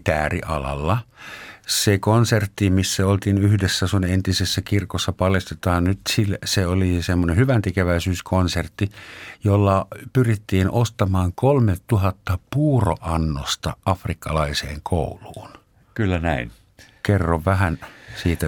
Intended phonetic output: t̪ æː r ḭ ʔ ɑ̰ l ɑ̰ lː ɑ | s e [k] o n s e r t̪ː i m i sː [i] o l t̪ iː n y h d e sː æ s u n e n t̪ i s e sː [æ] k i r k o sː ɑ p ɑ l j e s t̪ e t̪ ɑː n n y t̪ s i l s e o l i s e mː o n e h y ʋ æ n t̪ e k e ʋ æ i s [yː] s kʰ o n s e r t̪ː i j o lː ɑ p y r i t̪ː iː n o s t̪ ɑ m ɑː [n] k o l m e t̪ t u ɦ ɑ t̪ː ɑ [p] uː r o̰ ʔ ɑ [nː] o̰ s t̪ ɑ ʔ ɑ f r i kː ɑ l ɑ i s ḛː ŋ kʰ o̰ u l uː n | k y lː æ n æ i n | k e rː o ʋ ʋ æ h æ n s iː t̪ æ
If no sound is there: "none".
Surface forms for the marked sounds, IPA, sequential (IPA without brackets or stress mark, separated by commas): k, æ, æ, yː, ŋ, p, nː